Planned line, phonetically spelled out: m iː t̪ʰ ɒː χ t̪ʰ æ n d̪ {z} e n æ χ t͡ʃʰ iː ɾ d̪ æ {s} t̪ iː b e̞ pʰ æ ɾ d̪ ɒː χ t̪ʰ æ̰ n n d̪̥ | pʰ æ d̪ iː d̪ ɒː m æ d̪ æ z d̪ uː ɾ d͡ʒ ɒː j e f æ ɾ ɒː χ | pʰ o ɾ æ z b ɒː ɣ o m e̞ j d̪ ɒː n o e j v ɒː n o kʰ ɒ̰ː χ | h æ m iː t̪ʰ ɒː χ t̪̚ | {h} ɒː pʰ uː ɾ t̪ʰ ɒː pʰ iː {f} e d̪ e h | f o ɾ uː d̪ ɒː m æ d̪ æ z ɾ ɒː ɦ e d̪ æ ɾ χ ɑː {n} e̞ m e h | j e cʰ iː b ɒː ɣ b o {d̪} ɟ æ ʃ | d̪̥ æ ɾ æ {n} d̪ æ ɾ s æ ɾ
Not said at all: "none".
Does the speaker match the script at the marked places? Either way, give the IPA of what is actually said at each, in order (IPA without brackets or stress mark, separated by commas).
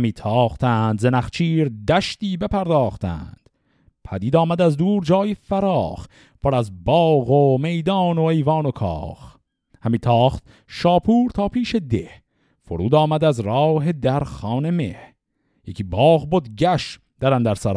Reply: z, ʃ, ʃ, ʃ, n, d̪, n